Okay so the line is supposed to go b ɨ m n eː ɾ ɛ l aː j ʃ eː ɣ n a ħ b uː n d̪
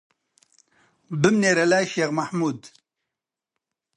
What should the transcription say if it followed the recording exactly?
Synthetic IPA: b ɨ m n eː ɾ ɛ l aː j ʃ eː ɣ m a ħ m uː d̪